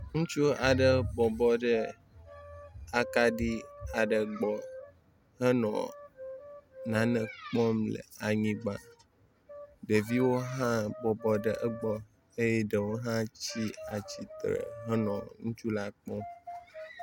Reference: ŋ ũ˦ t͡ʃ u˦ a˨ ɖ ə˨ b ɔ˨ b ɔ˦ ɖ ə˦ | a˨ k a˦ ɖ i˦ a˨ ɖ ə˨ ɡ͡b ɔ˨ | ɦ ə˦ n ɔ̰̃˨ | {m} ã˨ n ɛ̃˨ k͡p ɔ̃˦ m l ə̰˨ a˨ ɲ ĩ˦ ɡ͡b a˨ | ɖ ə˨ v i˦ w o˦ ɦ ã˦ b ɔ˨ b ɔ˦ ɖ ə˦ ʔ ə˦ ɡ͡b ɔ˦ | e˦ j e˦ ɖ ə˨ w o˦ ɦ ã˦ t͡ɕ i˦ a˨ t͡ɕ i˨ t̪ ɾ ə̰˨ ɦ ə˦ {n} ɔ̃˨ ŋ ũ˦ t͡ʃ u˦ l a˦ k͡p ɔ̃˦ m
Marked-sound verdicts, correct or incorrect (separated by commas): incorrect, correct